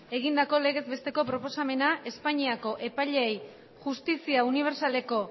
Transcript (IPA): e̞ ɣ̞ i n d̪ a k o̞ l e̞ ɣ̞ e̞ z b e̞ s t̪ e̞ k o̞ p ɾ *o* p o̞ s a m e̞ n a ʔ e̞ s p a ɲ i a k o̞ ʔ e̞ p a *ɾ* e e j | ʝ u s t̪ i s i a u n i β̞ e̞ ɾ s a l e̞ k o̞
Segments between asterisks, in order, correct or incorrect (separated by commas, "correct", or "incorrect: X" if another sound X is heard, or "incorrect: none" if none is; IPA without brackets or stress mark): correct, incorrect: ʎ